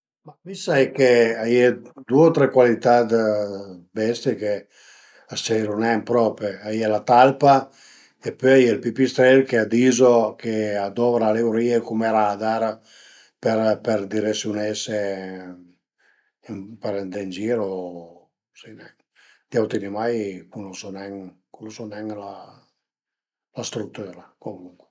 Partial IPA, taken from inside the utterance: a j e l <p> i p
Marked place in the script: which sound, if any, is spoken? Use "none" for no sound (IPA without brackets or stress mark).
p